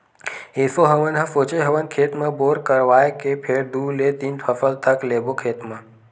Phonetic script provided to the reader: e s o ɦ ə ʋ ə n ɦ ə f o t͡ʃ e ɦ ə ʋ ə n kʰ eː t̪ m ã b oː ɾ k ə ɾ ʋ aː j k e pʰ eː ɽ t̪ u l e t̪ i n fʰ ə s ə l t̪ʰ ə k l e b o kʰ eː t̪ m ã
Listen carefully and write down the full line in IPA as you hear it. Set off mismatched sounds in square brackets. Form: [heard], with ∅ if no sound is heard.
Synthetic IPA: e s o ɦ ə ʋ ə n ɦ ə f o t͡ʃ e ɦ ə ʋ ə n kʰ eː t̪ m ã b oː ɾ k ə ɾ ʋ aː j k e pʰ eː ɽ [d̪] u l e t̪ i n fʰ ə [f] ə l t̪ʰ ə k l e b o kʰ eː t̪ m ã